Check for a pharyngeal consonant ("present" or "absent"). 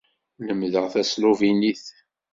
absent